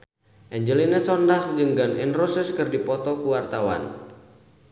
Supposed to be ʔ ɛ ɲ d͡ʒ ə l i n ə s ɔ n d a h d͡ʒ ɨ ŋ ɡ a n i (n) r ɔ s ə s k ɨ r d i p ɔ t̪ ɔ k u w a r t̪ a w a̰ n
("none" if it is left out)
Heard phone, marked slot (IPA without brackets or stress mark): n